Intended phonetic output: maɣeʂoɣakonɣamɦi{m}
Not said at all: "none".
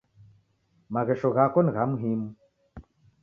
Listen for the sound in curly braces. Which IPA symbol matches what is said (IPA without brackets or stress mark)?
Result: m